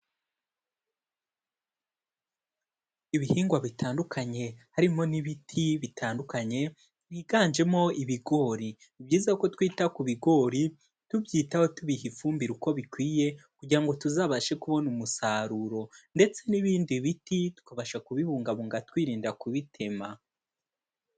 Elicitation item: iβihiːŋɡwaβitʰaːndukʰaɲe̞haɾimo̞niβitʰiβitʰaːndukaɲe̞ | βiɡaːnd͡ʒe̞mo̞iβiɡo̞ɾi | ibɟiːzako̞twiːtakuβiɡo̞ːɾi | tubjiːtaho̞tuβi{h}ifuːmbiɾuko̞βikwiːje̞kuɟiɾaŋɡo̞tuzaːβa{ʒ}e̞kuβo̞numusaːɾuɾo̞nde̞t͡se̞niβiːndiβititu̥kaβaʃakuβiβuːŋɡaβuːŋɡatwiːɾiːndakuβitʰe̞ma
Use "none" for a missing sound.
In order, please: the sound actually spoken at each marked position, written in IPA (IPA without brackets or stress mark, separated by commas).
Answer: h, ʃ